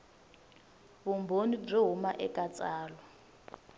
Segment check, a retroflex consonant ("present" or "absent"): present